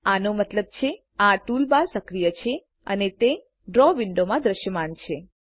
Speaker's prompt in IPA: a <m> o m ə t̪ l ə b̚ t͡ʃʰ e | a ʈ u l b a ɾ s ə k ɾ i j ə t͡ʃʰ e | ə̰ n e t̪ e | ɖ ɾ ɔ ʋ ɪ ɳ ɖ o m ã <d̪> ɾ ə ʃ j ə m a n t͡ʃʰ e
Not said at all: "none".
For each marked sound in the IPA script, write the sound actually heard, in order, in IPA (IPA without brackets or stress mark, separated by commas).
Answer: n, d̪